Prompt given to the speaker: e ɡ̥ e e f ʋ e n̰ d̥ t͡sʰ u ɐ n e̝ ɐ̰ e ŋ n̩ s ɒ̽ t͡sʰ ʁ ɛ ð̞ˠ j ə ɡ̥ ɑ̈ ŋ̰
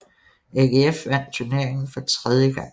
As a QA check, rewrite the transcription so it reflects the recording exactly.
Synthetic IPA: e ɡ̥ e e f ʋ æ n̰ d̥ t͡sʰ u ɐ n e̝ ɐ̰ e ŋ n̩ f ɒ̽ t͡sʰ ʁ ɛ ð̞ˠ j ə ɡ̥ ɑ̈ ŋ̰